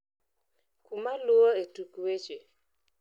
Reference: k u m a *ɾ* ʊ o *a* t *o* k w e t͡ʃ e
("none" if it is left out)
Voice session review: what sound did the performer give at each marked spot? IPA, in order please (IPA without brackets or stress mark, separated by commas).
l, e, u